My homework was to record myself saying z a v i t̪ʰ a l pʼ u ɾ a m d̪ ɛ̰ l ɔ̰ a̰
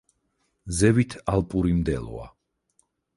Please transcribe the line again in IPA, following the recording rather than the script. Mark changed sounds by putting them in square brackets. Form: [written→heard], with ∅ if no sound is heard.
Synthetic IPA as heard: z [a→ɛ] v i t̪ʰ a l pʼ u ɾ [a→i] m d̪ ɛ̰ l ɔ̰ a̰